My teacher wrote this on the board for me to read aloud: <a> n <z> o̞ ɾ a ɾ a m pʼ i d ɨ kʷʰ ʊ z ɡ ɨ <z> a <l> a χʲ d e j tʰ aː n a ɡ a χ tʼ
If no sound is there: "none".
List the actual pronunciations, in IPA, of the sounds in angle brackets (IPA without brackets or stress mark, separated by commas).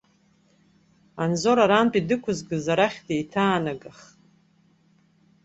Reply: a, z, z, ɾ